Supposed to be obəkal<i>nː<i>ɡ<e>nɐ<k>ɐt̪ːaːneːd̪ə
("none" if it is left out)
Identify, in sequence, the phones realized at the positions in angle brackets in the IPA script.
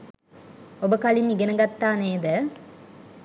i, i, e, ɡ

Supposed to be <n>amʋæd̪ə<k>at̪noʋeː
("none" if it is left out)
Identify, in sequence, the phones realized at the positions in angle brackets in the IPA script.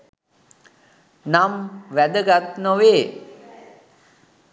n, ɡ

